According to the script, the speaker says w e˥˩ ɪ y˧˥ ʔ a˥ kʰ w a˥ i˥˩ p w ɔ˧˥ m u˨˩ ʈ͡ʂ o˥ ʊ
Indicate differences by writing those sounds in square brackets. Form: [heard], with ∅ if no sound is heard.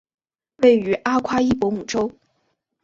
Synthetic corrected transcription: w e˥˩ ɪ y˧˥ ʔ a˥ kʰ w a˥ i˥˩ p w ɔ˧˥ m u˨˩ ʈ͡ʂ o˥ ʊ